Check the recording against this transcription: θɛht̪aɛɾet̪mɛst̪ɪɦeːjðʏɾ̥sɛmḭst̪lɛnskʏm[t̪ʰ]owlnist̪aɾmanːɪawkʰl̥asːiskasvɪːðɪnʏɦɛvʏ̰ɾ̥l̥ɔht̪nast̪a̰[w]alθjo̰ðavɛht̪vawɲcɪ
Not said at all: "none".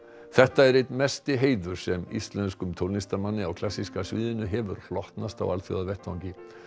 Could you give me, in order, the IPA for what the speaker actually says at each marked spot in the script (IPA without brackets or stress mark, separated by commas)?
t̪ʰ, w